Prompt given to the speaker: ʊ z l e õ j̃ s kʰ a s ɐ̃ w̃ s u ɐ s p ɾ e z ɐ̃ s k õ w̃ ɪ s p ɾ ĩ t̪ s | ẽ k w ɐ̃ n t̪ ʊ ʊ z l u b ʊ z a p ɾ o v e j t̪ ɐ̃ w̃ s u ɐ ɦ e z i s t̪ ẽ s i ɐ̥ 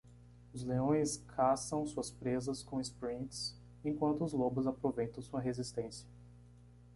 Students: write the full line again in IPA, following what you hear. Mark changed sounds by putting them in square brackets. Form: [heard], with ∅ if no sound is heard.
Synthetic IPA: ʊ z l e õ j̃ s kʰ a s ɐ̃ w̃ s u ɐ s p ɾ e z [ɐ] s k õ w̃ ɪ s p ɾ ĩ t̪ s | ẽ k w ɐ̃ n t̪ ʊ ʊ z l [o] b ʊ z a p ɾ o v e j t̪ ɐ̃ w̃ s u ɐ ɦ e z i s t̪ ẽ s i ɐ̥